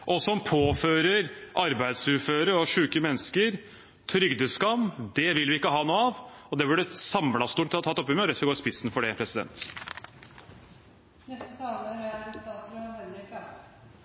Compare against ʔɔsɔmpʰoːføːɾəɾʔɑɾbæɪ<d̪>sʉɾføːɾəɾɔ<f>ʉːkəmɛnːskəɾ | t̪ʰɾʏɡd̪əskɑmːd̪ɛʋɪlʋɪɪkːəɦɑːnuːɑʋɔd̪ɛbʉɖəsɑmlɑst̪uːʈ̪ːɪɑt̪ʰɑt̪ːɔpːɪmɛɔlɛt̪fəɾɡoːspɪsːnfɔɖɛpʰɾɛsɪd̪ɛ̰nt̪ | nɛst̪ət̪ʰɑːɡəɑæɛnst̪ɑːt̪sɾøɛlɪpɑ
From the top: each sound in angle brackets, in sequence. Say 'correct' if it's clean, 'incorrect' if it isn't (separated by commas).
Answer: correct, incorrect